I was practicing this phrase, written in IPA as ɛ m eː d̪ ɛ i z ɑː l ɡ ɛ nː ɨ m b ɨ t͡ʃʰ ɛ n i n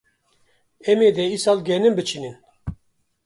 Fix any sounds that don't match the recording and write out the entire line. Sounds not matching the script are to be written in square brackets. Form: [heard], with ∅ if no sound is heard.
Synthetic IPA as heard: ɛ m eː d̪ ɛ i [s] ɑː l ɡ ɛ [n] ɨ m b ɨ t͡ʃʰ [i] n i n